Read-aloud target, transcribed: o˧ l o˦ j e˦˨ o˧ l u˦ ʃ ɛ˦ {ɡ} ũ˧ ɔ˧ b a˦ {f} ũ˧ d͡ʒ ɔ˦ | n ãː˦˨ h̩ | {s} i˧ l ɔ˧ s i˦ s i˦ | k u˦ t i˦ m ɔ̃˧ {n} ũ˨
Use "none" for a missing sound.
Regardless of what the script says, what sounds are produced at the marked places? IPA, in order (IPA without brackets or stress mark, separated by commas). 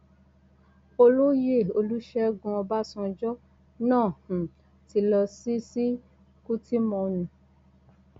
ɡ, s, t, n